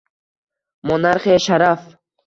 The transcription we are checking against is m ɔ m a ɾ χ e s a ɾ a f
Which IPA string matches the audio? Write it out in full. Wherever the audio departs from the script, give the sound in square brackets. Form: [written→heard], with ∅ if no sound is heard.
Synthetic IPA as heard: m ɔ [m→n] a ɾ χ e [s→ʃ] a ɾ a f